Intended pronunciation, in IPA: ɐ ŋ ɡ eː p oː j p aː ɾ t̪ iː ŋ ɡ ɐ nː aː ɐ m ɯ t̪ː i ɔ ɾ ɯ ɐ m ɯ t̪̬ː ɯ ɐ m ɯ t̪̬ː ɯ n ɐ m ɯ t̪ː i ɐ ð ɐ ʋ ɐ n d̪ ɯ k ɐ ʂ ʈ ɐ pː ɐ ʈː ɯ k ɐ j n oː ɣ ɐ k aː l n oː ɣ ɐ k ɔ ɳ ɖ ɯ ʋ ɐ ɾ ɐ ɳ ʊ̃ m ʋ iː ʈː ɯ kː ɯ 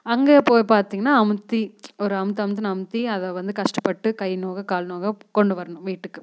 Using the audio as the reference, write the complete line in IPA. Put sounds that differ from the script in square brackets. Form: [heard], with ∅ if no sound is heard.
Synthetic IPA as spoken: ɐ ŋ ɡ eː p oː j p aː ɾ t̪ iː ŋ ɡ ɐ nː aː ɐ m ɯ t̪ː i ɔ ɾ ɯ ɐ m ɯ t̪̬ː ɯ ɐ m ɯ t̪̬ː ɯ n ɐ m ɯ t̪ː i ɐ ð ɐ ʋ ɐ n d̪ ɯ k ɐ ʂ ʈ ɐ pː ɐ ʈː ɯ k ɐ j n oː ɣ ɐ k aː l n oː ɣ ɐ k ɔ ɳ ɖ ɯ ʋ ɐ ɾ ɐ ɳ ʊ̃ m ʋ iː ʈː ɯ kː ɯ

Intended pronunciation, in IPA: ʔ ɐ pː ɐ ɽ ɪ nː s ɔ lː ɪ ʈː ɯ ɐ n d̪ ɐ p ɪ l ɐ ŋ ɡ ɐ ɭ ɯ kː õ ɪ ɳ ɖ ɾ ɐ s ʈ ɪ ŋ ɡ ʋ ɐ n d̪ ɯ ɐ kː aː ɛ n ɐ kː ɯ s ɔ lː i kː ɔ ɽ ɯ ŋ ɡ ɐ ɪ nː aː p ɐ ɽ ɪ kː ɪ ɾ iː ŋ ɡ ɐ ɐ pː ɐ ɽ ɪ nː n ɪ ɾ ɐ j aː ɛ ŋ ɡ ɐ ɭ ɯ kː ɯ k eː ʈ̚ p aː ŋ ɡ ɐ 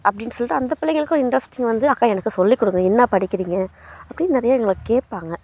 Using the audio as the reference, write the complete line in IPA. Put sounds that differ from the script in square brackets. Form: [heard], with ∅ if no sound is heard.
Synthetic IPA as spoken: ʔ ɐ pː ɐ ɽ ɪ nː s ɔ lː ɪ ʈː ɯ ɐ n d̪ ɐ p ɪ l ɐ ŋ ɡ ɐ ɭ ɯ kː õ ɪ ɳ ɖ ɾ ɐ s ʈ ɪ ŋ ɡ ʋ ɐ n d̪ ɯ ɐ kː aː ɛ n ɐ kː ɯ s ɔ lː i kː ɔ ɽ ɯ ŋ ɡ ɐ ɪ nː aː p ɐ ɽ ɪ kː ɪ ɾ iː ŋ ɡ ɐ ɐ pː ɐ ɽ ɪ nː n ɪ ɾ ɐ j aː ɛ ŋ ɡ ɐ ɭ ɯ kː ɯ k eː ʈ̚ p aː ŋ ɡ ɐ

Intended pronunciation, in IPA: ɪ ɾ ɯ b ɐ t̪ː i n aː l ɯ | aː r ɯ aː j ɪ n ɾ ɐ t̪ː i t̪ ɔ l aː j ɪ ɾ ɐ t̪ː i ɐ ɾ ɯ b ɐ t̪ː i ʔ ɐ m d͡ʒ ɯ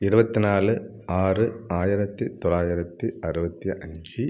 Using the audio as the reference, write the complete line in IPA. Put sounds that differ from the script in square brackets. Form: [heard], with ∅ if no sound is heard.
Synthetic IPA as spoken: ɪ ɾ ɯ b ɐ t̪ː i n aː l ɯ | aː r ɯ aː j ɪ [∅] ɾ ɐ t̪ː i t̪ ɔ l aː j ɪ ɾ ɐ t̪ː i ɐ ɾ ɯ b ɐ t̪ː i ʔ ɐ [ɲ] d͡ʒ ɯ

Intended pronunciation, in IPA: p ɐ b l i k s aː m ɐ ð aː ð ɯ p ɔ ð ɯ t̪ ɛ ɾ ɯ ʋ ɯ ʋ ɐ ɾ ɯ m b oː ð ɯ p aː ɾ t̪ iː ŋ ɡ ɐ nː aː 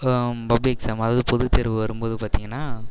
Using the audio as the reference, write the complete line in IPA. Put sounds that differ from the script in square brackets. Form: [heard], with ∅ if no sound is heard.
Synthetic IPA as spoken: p ɐ b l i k s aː m ɐ ð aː ð ɯ p ɔ ð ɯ t̪ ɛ ɾ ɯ ʋ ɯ ʋ ɐ ɾ ɯ m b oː ð ɯ p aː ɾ t̪ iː ŋ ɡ ɐ nː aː

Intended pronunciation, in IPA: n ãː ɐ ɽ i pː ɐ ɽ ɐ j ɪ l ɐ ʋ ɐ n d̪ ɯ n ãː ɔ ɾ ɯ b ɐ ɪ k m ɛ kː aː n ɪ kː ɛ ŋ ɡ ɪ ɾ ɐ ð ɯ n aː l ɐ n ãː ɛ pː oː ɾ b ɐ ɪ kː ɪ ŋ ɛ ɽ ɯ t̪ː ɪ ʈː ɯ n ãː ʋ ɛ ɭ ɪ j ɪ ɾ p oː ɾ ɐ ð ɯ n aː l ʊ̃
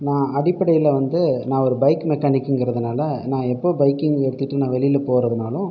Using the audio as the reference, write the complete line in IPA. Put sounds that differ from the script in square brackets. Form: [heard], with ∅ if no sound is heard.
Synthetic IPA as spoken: n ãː ɐ ɽ [ɪ] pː ɐ ɽ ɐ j ɪ l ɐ ʋ ɐ n d̪ ɯ n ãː ɔ ɾ ɯ b ɐ ɪ k m ɛ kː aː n ɪ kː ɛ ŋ ɡ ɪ ɾ ɐ ð ɯ n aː l ɐ n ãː ɛ pː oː [∅] b ɐ ɪ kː ɪ ŋ ɛ ɽ ɯ t̪ː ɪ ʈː ɯ n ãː ʋ ɛ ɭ ɪ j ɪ [l] p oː ɾ ɐ ð ɯ n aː l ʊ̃

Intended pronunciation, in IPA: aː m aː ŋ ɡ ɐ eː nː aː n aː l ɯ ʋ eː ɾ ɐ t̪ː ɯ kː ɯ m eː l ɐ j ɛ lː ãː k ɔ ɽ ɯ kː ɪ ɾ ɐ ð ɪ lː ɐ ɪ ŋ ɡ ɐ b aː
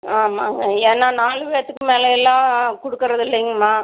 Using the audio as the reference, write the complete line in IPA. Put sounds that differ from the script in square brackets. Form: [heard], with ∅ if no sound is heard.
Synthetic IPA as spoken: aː m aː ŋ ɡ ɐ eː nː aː n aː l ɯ ʋ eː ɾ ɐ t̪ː ɯ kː ɯ m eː l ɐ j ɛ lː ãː k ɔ ɽ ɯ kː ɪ ɾ ɐ ð ɪ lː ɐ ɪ ŋ ɡ ɐ [m] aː

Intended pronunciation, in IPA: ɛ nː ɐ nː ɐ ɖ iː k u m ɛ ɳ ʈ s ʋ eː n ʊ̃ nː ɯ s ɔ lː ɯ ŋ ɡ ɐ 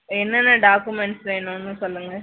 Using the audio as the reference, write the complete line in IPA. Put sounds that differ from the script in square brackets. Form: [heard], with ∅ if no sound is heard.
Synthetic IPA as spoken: ɛ nː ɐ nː ɐ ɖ [aː] k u m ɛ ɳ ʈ s ʋ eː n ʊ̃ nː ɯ s ɔ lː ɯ ŋ ɡ ɐ

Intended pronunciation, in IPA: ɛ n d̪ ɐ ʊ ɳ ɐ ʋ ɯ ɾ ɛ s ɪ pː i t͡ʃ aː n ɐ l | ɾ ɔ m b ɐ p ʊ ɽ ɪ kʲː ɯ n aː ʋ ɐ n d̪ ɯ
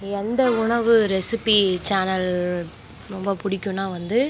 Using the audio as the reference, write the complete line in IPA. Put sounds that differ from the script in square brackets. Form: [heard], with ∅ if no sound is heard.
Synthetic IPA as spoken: ɛ n d̪ ɐ ʊ ɳ ɐ ʋ ɯ ɾ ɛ s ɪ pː i t͡ʃ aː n ɐ l | ɾ ɔ m b ɐ p ʊ ɽ ɪ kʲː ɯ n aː ʋ ɐ n d̪ ɯ

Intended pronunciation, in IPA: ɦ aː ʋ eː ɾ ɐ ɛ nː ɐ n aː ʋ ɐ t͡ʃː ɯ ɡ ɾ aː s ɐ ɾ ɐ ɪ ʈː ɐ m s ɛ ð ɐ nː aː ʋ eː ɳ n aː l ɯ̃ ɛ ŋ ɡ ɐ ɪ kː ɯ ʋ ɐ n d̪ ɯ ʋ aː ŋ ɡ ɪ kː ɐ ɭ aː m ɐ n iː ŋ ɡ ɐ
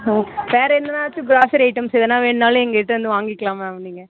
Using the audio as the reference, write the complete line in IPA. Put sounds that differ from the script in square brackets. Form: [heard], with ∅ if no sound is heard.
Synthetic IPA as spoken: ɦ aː ʋ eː ɾ ɐ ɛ nː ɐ n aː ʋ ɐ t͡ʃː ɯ ɡ ɾ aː s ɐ ɾ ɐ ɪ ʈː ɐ m s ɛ ð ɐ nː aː ʋ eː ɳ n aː l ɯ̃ ɛ ŋ ɡ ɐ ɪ [ʈː] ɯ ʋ ɐ n d̪ ɯ ʋ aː ŋ ɡ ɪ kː ɐ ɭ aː m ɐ n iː ŋ ɡ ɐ

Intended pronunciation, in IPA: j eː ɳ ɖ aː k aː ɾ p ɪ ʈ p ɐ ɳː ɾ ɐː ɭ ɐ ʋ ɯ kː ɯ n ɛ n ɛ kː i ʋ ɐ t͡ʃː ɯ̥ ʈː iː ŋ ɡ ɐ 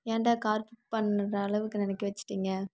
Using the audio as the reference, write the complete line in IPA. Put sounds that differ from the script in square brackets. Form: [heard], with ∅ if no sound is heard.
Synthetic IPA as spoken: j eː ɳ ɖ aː k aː ɾ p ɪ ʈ p ɐ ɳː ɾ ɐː ɭ ɐ ʋ ɯ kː ɯ n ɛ n ɛ kː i ʋ ɐ t͡ʃː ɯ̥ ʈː iː ŋ ɡ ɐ

